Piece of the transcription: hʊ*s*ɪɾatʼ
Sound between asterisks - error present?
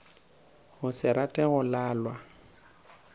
no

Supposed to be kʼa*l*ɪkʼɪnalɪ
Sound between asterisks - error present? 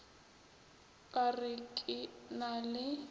yes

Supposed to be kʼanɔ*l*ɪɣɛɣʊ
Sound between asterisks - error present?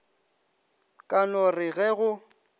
yes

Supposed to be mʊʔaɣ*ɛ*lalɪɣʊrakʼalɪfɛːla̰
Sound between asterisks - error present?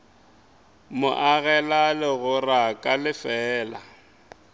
no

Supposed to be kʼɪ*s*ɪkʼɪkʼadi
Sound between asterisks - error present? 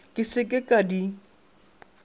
no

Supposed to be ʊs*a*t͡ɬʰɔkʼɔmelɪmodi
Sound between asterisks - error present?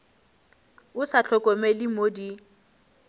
no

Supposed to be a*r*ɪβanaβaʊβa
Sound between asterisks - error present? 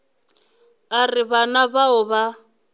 no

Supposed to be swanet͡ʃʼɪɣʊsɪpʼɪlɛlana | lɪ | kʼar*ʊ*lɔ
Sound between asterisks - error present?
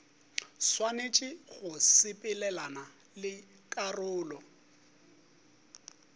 yes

